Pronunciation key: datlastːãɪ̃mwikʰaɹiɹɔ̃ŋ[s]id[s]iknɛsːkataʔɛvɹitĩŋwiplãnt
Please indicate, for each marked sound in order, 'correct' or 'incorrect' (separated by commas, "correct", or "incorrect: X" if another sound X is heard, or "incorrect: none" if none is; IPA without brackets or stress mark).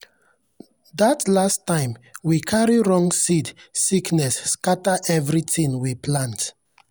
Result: correct, correct